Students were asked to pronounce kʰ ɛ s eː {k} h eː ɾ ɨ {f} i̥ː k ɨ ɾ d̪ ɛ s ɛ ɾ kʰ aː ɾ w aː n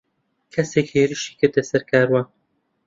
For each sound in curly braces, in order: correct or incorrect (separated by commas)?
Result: correct, incorrect